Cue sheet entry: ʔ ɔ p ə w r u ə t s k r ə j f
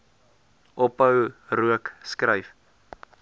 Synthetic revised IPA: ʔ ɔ p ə w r u ə k s k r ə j f